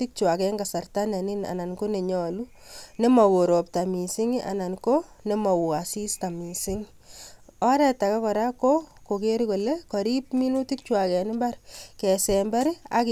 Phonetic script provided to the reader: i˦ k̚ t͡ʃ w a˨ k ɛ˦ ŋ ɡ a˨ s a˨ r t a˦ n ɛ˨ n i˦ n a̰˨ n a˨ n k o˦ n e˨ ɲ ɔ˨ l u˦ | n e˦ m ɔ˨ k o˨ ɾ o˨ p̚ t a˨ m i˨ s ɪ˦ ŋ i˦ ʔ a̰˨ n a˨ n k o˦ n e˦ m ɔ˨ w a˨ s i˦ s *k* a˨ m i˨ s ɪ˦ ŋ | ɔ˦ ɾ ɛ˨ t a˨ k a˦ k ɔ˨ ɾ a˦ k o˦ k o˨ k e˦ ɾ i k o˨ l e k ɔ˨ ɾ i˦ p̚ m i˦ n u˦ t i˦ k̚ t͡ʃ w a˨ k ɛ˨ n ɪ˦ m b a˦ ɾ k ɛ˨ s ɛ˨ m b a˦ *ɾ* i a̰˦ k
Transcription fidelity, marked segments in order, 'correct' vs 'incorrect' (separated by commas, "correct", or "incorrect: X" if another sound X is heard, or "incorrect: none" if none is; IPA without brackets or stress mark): incorrect: t, correct